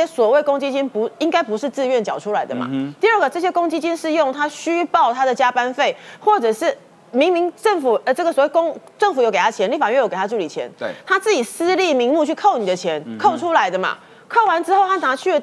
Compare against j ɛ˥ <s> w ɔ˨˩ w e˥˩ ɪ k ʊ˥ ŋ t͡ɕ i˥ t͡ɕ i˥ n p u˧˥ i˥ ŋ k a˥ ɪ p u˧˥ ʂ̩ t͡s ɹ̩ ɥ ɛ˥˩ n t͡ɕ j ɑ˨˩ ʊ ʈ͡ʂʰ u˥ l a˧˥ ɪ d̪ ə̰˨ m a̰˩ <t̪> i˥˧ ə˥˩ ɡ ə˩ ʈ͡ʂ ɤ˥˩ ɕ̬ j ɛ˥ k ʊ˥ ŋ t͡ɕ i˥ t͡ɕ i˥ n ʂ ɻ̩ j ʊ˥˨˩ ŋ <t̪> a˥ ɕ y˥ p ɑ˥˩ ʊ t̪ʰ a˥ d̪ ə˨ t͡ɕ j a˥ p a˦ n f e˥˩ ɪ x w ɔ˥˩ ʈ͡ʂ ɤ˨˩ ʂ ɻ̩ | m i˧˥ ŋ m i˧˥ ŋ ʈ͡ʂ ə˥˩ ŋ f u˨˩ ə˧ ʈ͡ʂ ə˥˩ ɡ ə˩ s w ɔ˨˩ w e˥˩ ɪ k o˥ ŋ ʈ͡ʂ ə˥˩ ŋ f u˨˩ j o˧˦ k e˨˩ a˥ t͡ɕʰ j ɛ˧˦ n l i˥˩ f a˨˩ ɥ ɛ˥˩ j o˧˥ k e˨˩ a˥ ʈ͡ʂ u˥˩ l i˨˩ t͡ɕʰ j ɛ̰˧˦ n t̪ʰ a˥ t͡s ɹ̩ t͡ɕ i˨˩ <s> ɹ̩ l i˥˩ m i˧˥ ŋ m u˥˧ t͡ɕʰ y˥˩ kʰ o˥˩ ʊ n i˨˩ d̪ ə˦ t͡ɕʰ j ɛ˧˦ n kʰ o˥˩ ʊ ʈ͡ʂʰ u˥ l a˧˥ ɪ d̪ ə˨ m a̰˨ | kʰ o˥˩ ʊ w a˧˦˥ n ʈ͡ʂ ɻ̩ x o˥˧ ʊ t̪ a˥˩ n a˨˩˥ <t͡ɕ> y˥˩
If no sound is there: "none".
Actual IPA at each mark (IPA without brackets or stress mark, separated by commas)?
s, t̪, t̪ʰ, s, t͡ɕʰ